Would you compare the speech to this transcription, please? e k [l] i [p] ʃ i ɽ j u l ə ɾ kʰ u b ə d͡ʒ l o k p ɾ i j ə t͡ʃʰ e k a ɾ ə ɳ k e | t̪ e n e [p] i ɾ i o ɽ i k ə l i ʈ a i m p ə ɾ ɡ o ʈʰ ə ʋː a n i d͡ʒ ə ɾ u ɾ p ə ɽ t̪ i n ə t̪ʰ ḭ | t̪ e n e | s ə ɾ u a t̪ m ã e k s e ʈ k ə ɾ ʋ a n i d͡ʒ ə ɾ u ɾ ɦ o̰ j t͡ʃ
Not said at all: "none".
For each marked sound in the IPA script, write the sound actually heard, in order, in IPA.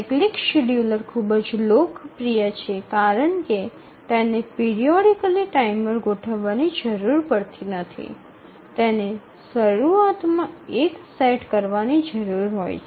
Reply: l, k, p

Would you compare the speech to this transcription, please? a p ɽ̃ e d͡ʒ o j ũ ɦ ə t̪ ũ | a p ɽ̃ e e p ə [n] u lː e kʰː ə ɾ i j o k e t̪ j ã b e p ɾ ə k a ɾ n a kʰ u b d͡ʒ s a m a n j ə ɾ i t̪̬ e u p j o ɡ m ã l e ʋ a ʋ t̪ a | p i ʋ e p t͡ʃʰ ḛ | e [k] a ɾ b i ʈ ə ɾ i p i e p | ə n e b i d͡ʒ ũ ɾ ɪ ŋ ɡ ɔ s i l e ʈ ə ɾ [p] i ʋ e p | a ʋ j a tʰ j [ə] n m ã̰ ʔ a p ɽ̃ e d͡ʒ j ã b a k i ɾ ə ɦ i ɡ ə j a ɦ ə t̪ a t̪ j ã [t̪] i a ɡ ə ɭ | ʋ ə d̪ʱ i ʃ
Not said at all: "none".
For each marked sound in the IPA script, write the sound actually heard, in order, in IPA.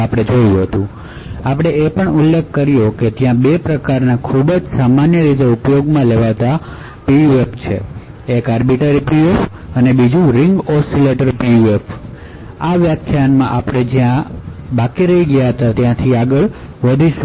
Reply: ɳ, k, p, a, t̪ʰ

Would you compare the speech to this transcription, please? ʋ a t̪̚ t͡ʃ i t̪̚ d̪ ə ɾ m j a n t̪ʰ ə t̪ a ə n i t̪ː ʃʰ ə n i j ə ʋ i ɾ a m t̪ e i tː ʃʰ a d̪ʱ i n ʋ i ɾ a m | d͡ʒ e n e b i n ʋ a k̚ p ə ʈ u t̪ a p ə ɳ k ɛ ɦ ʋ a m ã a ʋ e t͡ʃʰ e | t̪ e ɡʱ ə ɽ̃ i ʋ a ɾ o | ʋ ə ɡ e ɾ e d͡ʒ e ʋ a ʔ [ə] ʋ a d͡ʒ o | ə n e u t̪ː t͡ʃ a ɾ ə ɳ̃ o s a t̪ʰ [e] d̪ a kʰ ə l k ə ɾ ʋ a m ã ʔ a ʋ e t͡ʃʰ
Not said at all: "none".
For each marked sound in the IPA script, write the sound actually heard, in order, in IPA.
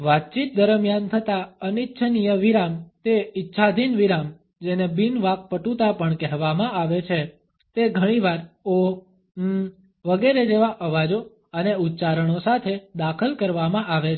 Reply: ə, e

